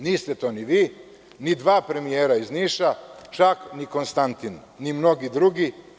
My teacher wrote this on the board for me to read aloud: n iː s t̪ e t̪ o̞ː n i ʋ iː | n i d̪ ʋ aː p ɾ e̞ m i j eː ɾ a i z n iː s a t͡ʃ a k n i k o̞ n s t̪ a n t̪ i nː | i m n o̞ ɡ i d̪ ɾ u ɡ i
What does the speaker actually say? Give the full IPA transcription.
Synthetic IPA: n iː s t̪ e t̪ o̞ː n i ʋ iː | n i d̪ ʋ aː p ɾ e̞ m i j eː ɾ a i z n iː ʃ a t͡ʃ a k n i k o̞ n s t̪ a n t̪ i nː | i m n o̞ ɡ i d̪ ɾ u ɡ i